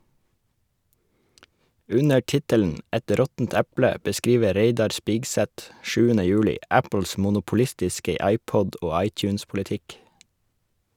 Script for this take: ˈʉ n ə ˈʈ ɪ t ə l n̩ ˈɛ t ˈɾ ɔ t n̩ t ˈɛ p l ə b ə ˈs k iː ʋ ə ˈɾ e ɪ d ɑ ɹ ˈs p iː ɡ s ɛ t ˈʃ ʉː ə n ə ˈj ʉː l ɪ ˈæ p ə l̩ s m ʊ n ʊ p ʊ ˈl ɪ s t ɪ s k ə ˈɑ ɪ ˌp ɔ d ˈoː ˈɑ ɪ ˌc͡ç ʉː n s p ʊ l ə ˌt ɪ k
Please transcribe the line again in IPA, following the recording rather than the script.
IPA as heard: ˈʉ n ə ˈʈ ɪ t ə l n̩ ˈɛ t ˈɾ ɔ t n̩ t ˈɛ p l ə b ə ˈs k iː ʋ ə ˈɾ e ɪ d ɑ ɾ ˈs p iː ɡ s ɛ t ˈʃ ʉː ə n ə ˈj ʉː l ɪ ˈæ p ə l̩ s m ʊ n ʊ p ʊ ˈl ɪ s t ɪ s k ə ˈɑ ɪ ˌp ɔ d ˈoː ˈɑ ɪ ˌc͡ç ʉː n s p ʊ l ə ˌt ɪ k

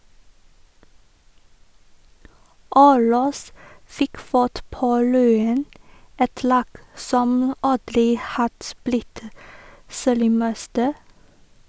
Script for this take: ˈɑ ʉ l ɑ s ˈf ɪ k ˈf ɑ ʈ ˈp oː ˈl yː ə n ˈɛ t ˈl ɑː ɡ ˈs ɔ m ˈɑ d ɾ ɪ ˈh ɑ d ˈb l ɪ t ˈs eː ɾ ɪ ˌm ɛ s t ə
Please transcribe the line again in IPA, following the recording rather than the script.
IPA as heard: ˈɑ ʉ l ɑ s ˈf ɪ k ˈf ɑ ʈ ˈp oː ˈl yː ə n ˈɛ t ˈl ɑː ɡ ˈs ɔ m ˈɑ d ɾ ɪ ˈh ɑ d ˈb l ɪ t ˈs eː ɾ ɪ ˌm ɛ s t ə

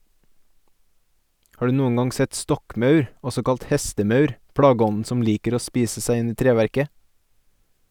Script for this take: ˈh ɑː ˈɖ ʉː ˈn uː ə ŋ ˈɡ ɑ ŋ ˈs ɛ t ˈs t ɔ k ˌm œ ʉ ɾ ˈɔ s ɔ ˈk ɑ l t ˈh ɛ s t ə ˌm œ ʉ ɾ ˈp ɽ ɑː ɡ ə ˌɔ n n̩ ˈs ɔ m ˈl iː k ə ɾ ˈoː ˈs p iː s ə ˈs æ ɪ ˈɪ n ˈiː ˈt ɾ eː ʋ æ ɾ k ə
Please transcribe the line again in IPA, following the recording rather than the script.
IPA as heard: ˈh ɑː ˈɖ ʉː ˈn uː ə ŋ ˈɡ ɑ ŋ ˈs ɛ t ˈs t ɔ k ˌm œ ʉ ɾ ˈɔ s ɔ ˈk ɑ l t ˈh ɛ s t ə ˌm œ ʉ ɾ ˈp ɽ ɑː ɡ ə ˌɔ n n̩ ˈs ɔ m ˈl iː k ə ɾ ˈoː ˈs p iː s ə ˈs æ ɪ ˈɪ n ˈiː ˈt ɾ eː ʋ æ ɾ k ə

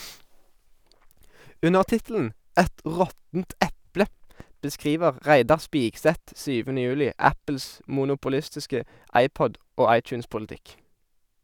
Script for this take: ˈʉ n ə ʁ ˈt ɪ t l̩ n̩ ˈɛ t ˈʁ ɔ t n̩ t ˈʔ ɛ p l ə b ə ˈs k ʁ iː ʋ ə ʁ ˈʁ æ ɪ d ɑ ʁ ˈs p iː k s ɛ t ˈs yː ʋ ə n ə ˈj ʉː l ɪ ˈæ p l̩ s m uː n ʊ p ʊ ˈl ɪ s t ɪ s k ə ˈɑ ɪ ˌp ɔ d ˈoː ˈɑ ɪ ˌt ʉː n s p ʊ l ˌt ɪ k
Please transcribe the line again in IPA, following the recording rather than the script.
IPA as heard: ˈʉ n ə ʁ ˈt ɪ t l̩ n̩ ˈɛ t ˈʁ ɔ t n̩ t ˈʔ ɛ p l ə b ə ˈs k ʁ iː ʋ ə ʁ ˈʁ æ ɪ d ɑ ʁ ˈs p iː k s ɛ t ˈs yː ʋ ə n ə ˈj ʉː l ɪ ˈæ p l̩ s m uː n ʊ p ʊ ˈl ɪ s t ɪ s k ə ˈɑ ɪ ˌp ɔ d ˈoː ˈɑ ɪ ˌt͡ʃ ʉː n s p ʊ l ˌt ɪ k

